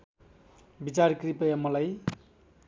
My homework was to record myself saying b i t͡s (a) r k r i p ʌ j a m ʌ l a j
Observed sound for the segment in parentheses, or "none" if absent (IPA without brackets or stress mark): a